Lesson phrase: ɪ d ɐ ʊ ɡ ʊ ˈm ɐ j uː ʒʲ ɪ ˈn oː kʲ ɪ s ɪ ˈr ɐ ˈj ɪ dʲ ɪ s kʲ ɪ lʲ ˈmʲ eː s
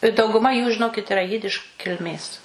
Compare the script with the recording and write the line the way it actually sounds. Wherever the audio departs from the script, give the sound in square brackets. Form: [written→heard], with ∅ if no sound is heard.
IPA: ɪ d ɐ ʊ ɡ ʊ ˈm ɐ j uː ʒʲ ɪ ˈn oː kʲ ɪ [s→t] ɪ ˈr ɐ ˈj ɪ dʲ ɪ [s→ʃ] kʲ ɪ lʲ ˈmʲ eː s